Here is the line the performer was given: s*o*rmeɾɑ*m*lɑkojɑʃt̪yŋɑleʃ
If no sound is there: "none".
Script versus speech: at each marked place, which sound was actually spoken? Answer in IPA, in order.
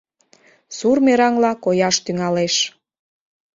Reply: u, ŋ

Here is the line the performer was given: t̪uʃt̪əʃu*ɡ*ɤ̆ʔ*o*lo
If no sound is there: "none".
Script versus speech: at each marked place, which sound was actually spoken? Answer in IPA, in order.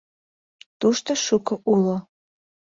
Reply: k, u

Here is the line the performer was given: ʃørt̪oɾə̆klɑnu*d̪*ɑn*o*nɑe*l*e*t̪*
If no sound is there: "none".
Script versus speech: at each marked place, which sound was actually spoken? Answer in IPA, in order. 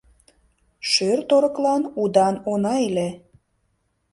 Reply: d̪, o, l, none

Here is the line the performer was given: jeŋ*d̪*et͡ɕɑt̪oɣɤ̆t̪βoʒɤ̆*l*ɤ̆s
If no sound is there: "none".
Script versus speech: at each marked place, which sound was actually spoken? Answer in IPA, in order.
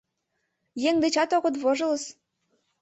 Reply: d̪, l

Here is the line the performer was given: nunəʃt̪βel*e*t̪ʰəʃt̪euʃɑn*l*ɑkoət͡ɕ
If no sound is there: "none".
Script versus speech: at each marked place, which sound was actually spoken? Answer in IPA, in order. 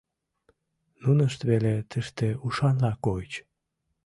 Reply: e, l

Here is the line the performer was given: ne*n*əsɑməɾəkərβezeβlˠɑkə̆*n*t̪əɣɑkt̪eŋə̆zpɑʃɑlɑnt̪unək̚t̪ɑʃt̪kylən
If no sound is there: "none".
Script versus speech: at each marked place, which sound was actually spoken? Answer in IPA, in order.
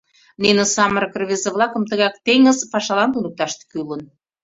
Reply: n, m

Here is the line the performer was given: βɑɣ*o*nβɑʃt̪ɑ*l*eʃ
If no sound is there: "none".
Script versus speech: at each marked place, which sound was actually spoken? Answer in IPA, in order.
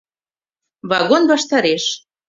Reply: o, ɾ

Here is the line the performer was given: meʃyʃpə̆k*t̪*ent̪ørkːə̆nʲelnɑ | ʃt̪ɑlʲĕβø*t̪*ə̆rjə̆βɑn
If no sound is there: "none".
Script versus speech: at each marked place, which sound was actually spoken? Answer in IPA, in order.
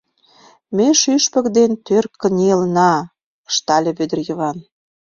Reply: d̪, d̪

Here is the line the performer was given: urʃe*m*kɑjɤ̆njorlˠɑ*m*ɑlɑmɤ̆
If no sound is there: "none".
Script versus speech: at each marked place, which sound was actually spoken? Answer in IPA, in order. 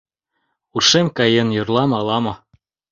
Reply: m, m

